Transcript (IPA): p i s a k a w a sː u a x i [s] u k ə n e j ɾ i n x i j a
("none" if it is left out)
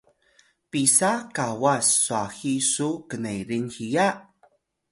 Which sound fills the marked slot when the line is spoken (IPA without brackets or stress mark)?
s